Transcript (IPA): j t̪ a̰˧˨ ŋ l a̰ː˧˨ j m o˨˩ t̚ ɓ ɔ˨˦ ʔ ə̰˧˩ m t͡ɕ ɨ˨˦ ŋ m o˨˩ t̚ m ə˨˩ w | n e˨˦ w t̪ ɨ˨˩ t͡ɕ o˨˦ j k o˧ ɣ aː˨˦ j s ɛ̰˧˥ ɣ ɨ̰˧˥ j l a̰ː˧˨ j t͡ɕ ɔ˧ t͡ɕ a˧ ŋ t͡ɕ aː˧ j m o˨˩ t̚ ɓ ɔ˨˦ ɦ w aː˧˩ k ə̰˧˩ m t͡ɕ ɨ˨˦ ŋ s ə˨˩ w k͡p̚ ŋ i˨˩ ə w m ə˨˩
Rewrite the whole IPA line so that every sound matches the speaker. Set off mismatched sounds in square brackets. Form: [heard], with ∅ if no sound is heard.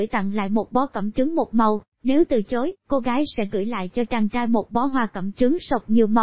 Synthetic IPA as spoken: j t̪ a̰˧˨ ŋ l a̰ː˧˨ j m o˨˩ t̚ ɓ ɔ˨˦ [k] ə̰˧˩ m t͡ɕ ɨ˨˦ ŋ m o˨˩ t̚ m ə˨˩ w | n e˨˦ w t̪ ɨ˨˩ t͡ɕ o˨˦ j k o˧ ɣ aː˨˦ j s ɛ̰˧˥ ɣ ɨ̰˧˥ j l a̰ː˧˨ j t͡ɕ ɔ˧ t͡ɕ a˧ ŋ t͡ɕ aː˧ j m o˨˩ t̚ ɓ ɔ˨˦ ɦ w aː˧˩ k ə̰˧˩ m t͡ɕ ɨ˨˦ ŋ s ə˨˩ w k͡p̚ [ɲ] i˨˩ ə w m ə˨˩